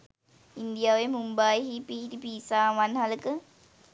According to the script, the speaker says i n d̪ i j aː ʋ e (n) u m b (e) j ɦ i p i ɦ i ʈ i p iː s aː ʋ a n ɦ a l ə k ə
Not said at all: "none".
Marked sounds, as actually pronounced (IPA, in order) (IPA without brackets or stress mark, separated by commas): m, a